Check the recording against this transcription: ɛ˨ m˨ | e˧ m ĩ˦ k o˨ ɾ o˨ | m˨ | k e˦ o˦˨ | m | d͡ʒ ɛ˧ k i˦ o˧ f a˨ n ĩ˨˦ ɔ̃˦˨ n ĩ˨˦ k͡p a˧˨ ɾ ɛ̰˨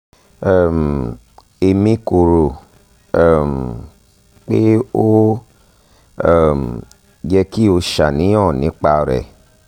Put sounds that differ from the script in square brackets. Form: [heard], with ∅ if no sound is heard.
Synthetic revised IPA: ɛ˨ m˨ | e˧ m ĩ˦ k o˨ ɾ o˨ | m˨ | [k͡p] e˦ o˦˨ | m | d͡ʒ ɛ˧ k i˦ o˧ [ʃ] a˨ n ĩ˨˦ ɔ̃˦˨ n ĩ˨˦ k͡p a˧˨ ɾ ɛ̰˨